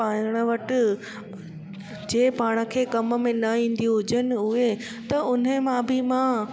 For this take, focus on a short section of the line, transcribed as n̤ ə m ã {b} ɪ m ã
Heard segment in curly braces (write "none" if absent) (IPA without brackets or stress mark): b